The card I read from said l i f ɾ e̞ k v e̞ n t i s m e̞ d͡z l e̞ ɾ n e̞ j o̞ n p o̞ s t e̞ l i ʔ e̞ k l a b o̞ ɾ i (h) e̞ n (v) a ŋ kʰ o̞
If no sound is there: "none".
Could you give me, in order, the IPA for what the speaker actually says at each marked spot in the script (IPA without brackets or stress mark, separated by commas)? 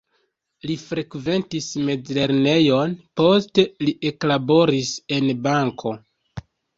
s, b